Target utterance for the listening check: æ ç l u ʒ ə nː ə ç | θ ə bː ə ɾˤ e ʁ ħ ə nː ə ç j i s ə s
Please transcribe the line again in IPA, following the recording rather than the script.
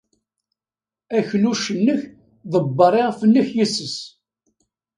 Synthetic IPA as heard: æ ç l u ʃ ə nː ə ç | ð ə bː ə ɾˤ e ʁ f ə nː ə ç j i s ə s